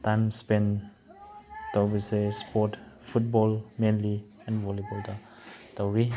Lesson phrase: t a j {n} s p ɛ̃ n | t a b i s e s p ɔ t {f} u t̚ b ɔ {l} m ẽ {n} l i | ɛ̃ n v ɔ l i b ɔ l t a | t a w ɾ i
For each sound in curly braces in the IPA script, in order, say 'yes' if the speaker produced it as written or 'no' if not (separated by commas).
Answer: no, yes, yes, yes